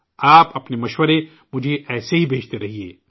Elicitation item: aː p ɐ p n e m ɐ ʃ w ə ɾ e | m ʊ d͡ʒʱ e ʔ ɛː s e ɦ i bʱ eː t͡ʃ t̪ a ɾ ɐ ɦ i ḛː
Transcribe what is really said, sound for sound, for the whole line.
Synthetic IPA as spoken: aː p ɐ p n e m ɐ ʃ w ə ɾ e | m ʊ d͡ʒʱ e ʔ ɛː s e ɦ i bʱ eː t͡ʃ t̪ e ɾ ɐ ɦ i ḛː